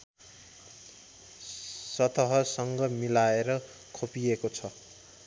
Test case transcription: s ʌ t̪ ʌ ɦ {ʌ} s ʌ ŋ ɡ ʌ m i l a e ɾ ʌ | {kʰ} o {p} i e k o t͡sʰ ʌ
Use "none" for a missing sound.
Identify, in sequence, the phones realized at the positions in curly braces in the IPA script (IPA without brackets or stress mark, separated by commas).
ʌ, kʰ, p